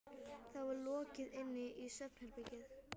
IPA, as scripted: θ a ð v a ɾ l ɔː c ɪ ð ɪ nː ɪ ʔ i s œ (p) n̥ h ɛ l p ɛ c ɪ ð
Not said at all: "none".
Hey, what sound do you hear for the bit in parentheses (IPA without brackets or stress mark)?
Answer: p